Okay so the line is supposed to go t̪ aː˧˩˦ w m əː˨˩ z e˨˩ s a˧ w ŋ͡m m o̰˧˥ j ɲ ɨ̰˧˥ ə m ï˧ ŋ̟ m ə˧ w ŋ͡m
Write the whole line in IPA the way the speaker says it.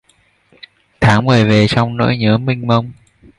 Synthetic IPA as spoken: t̪ʰ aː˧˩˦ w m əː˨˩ v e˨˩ s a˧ w ŋ͡m n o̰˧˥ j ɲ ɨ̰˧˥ ə m ï˧ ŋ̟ m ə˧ w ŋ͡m